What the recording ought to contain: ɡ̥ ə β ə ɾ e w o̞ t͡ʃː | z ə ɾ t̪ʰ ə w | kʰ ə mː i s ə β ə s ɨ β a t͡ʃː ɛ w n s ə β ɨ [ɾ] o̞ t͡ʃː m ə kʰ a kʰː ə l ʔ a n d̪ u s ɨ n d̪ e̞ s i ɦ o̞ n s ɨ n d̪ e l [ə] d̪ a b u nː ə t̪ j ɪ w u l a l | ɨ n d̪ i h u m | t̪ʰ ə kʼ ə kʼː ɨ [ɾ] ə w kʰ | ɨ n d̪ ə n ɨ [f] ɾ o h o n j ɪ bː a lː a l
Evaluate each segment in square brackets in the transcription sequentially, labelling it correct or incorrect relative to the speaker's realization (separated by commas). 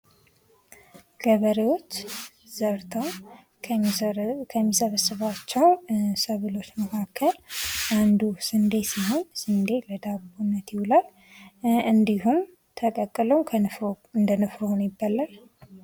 incorrect, correct, incorrect, correct